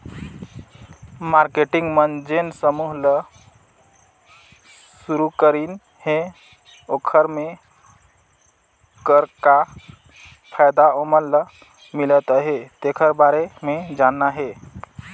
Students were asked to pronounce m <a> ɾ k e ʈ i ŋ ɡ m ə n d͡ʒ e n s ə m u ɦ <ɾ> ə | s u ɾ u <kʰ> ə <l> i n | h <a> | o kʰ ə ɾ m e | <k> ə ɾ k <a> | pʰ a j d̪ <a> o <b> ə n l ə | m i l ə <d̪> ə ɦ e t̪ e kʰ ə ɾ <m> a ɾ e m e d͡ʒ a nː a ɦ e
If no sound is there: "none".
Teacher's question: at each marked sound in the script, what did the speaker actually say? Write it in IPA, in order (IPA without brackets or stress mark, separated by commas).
a, l, k, ɾ, e, k, a, a, m, t̪, b